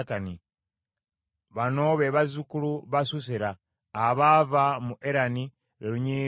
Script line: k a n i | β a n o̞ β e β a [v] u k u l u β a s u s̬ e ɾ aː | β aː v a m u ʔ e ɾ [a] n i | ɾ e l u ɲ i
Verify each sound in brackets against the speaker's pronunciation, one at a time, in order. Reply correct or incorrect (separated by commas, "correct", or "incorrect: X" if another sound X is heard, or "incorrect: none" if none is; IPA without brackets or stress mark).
incorrect: z, correct